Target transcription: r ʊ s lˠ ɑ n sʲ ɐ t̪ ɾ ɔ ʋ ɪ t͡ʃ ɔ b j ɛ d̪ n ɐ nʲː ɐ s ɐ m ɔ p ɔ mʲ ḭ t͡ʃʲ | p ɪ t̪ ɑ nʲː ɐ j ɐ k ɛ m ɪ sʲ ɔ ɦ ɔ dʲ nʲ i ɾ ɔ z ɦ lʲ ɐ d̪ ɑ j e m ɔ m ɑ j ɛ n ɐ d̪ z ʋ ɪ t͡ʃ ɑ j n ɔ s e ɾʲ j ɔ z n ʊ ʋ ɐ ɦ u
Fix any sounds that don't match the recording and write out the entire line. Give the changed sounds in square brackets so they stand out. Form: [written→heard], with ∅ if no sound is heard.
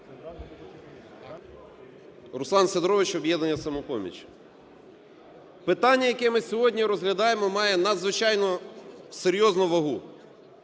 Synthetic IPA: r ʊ s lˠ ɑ n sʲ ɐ [t̪→d̪] ɾ ɔ ʋ ɪ t͡ʃ ɔ b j ɛ d̪ n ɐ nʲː ɐ s ɐ m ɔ p ɔ mʲ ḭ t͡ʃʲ | p ɪ t̪ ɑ nʲː ɐ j ɐ k ɛ m ɪ sʲ ɔ ɦ ɔ dʲ nʲ i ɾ ɔ z ɦ lʲ ɐ d̪ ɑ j e m ɔ m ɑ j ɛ n ɐ d̪ z ʋ ɪ t͡ʃ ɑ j n ɔ s e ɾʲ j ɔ z n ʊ ʋ ɐ ɦ u

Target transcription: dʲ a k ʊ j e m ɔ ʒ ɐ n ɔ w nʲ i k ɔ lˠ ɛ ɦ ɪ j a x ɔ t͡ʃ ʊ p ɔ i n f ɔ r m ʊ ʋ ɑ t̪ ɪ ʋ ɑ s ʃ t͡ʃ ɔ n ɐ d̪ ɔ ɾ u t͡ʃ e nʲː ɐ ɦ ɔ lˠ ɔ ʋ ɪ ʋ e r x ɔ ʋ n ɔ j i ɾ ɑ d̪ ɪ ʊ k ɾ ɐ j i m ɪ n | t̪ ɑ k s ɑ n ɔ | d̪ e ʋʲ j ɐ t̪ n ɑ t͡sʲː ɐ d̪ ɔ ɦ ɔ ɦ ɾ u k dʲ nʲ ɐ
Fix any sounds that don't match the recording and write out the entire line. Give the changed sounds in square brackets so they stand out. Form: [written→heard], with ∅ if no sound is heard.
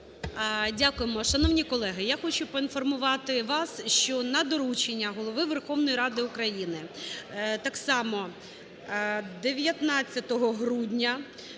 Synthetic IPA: dʲ a k ʊ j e m ɔ [ʒ→ʃ] ɐ n ɔ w nʲ i k ɔ lˠ ɛ ɦ ɪ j a x ɔ t͡ʃ ʊ p ɔ i n f ɔ r m ʊ ʋ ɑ t̪ ɪ ʋ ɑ s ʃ t͡ʃ ɔ n ɐ d̪ ɔ ɾ u t͡ʃ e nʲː ɐ ɦ ɔ lˠ ɔ ʋ ɪ ʋ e r x ɔ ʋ n ɔ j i ɾ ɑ d̪ ɪ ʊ k ɾ ɐ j i [m→n] ɪ [n→∅] | t̪ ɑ k s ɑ [n→m] ɔ | d̪ e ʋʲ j ɐ t̪ n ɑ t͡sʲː ɐ [d̪→t̪] ɔ ɦ ɔ ɦ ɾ u [k→∅] dʲ nʲ ɐ

